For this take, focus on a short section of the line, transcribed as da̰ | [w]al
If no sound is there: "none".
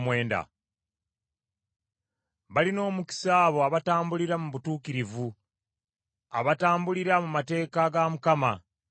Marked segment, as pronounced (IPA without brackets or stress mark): β